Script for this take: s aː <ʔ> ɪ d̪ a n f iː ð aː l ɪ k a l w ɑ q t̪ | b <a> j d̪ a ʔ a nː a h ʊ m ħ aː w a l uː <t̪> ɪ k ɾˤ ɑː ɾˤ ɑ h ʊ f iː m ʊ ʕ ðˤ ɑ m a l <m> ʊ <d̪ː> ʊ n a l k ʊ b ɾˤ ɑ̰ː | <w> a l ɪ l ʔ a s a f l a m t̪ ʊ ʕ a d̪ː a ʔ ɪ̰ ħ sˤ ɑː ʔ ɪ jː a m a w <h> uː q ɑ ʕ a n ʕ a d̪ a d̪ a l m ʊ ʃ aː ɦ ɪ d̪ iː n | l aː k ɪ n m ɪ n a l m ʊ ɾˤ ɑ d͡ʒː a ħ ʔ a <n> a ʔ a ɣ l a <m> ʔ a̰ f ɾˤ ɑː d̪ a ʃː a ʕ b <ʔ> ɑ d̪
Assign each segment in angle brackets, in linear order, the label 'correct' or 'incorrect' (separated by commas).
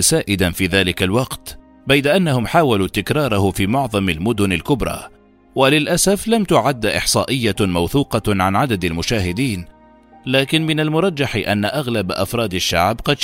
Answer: correct, correct, correct, correct, incorrect, correct, incorrect, incorrect, incorrect, incorrect